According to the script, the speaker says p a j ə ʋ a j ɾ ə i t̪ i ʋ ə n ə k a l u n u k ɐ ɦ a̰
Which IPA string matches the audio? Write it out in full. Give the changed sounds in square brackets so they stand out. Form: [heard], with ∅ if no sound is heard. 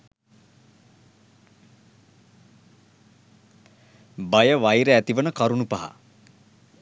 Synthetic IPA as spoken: [b] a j ə ʋ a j ɾ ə [æ] t̪ i ʋ ə n ə k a [ɾ] u n u [p] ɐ ɦ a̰